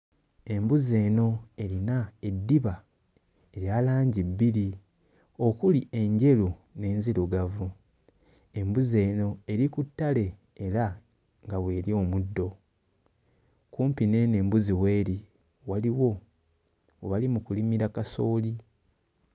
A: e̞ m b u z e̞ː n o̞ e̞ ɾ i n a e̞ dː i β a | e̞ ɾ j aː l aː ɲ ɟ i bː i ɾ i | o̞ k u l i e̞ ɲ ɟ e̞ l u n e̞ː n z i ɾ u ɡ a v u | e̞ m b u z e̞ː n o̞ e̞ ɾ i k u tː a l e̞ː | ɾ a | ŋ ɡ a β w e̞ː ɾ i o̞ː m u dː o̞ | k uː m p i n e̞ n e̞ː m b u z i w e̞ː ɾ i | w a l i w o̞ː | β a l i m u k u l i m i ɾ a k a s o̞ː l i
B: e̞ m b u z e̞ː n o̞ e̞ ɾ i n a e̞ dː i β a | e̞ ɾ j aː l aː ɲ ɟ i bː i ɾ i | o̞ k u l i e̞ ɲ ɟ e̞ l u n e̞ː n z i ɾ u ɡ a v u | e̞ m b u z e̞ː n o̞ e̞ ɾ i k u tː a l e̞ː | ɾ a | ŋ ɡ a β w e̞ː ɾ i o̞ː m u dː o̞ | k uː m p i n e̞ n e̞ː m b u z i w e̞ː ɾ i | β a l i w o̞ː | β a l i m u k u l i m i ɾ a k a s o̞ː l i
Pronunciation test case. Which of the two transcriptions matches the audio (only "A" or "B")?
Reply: A